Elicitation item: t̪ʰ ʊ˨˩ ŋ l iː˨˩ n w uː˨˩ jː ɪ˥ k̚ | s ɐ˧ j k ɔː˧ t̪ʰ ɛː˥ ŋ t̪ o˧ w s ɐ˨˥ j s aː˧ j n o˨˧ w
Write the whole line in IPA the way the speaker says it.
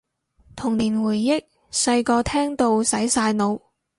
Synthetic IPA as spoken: t̪ʰ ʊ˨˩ ŋ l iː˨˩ n w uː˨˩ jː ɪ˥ k̚ | s ɐ˧ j k ɔː˧ t̪ʰ ɛː˥ ŋ t̪ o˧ w s ɐ˨˥ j s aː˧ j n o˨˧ w